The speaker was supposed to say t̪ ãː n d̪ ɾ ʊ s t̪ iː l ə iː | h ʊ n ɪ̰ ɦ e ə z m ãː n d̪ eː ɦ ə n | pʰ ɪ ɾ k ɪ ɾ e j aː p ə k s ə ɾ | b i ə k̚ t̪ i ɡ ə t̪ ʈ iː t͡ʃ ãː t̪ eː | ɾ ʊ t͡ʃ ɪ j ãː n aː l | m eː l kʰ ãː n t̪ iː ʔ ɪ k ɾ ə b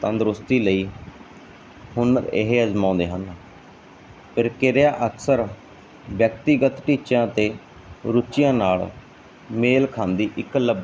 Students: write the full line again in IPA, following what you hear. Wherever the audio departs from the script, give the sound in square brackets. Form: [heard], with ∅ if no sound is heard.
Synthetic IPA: t̪ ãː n d̪ ɾ ʊ s t̪ iː l ə iː | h ʊ n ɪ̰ ɦ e ə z m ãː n d̪ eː ɦ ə n | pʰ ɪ ɾ k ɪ ɾ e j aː [ʔ] ə k s ə ɾ | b [j] ə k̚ t̪ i ɡ ə t̪ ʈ iː t͡ʃ ãː t̪ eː | ɾ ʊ t͡ʃ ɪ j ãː n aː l | m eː l kʰ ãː n [d̪] iː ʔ ɪ k [l] ə b